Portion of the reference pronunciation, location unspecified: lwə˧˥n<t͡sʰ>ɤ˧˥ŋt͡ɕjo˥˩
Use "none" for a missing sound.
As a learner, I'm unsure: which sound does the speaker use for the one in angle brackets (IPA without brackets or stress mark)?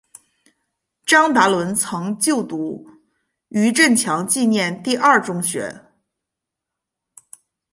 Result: t͡sʰ